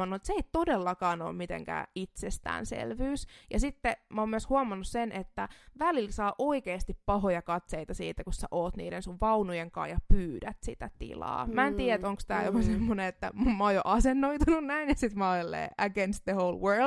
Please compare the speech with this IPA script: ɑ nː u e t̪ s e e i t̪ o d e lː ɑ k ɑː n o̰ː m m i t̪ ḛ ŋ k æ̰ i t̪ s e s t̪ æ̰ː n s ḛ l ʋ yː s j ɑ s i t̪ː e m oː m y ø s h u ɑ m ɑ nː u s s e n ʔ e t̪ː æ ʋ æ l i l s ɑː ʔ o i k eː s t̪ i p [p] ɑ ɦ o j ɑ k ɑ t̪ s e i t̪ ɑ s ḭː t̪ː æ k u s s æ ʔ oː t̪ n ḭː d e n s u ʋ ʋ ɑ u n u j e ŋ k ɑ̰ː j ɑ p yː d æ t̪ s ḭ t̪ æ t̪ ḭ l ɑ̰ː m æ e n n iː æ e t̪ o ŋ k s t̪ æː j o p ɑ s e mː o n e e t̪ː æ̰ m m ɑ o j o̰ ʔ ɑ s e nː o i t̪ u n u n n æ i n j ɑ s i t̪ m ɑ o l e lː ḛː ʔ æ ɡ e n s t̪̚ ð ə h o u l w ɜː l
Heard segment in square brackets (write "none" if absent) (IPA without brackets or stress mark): p